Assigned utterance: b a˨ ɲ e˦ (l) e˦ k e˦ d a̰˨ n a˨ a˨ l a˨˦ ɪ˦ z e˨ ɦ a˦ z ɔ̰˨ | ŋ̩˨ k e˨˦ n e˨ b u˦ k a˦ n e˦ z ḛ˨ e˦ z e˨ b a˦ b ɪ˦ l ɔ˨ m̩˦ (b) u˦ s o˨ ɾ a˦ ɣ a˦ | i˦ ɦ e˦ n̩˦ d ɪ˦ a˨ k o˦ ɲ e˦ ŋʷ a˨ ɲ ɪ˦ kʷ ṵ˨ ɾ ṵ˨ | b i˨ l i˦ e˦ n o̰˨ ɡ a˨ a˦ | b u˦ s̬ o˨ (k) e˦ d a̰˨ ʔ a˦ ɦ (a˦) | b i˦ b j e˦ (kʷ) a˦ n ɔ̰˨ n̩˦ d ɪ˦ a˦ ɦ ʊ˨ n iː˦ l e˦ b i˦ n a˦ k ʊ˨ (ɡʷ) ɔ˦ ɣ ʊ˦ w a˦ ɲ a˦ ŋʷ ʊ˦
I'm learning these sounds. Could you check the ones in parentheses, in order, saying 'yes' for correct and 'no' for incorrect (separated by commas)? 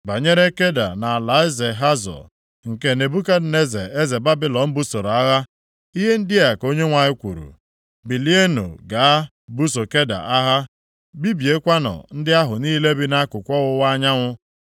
no, yes, yes, yes, yes, no